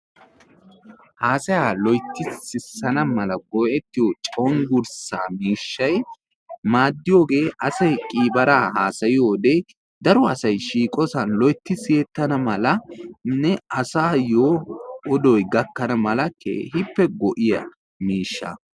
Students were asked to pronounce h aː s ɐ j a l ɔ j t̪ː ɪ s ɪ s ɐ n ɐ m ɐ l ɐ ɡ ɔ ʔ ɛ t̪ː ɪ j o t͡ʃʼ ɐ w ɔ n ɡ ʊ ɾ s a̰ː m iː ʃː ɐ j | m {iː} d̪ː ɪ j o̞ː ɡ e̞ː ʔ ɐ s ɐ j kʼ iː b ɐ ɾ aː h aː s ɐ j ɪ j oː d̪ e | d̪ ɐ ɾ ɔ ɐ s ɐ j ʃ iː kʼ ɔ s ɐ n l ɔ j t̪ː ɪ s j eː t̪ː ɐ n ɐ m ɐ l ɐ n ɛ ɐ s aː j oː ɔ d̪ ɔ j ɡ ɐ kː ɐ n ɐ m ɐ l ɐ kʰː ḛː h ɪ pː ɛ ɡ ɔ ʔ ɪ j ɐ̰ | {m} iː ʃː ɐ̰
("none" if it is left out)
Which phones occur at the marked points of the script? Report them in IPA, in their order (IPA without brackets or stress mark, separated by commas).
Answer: aː, m